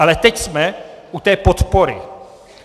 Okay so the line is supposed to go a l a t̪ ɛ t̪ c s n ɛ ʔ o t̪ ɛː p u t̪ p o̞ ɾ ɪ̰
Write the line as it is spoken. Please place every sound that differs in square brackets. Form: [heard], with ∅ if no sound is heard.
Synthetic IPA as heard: a l [ɛ] t̪ ɛ [∅] c s [m] ɛ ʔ [u] t̪ ɛː p [o] t̪ p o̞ ɾ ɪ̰